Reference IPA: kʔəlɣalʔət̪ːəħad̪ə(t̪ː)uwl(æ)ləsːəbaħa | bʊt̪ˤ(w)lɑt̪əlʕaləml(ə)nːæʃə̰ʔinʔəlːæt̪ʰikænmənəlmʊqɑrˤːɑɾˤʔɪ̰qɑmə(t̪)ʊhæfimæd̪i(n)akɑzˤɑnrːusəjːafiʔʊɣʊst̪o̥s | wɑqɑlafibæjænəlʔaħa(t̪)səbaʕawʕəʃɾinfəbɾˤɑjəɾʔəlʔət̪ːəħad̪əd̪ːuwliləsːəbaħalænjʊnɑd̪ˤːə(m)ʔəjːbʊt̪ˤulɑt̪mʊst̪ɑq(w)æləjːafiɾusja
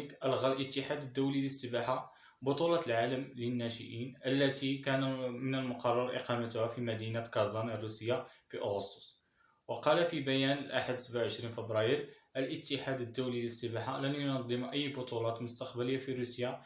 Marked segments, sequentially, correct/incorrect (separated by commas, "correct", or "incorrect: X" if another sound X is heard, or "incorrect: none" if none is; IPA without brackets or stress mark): incorrect: d̪ː, incorrect: i, incorrect: u, correct, correct, correct, incorrect: d̪, correct, incorrect: b